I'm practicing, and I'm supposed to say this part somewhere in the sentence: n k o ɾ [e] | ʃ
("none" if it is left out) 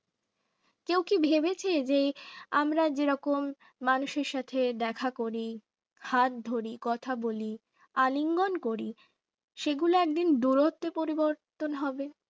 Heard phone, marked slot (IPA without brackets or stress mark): i